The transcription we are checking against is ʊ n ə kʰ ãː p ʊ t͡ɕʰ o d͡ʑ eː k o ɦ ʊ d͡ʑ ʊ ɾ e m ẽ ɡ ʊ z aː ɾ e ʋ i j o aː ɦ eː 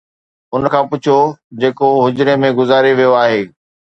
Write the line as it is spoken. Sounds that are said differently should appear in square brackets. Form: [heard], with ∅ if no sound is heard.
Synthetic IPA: ʊ n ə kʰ ãː p ʊ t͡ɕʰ o d͡ʑ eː k o ɦ ʊ d͡ʑ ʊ ɾ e m ẽ ɡ ʊ z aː ɾ e ʋ i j o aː ɦ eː